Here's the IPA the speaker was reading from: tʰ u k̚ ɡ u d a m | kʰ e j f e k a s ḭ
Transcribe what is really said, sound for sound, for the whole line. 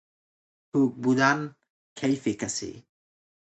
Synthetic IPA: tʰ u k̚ b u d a n | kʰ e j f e k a s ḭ